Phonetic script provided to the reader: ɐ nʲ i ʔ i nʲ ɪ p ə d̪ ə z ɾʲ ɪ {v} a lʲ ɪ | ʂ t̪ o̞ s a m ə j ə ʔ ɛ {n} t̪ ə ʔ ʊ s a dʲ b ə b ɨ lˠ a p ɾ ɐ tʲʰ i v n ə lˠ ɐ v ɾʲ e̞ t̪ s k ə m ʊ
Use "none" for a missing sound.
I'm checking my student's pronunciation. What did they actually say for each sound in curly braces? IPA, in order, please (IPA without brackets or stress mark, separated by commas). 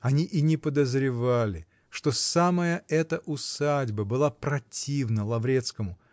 v, none